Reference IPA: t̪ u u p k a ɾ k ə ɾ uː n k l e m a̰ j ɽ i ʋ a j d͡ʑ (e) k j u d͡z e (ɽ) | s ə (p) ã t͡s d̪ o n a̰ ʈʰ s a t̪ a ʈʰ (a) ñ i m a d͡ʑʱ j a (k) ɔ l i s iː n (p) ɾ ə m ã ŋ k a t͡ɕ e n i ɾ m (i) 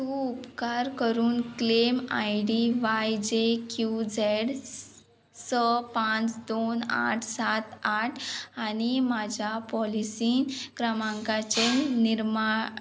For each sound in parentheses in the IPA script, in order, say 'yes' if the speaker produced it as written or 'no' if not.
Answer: yes, yes, yes, yes, no, no, no

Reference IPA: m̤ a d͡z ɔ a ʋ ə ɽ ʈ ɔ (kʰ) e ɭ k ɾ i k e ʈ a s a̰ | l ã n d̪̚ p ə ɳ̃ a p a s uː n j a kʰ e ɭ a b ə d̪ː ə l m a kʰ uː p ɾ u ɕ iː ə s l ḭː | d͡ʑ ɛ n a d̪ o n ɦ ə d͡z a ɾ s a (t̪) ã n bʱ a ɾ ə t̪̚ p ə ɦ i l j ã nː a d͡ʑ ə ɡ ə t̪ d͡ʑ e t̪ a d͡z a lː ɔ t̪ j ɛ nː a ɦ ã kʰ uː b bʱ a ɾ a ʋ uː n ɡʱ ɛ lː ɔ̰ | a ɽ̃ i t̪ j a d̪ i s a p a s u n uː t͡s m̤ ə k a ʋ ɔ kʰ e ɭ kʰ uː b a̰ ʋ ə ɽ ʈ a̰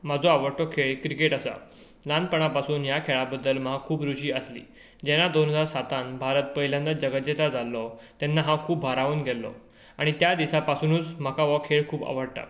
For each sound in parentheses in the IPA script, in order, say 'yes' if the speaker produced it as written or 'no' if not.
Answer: yes, yes

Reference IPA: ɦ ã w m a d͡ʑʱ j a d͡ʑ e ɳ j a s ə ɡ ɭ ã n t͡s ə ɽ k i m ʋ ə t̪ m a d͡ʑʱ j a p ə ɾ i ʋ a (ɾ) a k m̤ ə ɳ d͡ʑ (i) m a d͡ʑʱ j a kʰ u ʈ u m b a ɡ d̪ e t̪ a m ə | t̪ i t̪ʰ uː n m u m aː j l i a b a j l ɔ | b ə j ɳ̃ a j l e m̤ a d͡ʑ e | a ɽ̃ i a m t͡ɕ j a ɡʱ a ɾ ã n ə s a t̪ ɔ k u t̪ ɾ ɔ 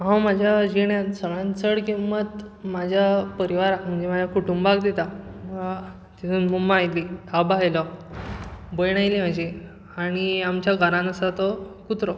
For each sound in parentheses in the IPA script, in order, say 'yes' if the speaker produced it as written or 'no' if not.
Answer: yes, no

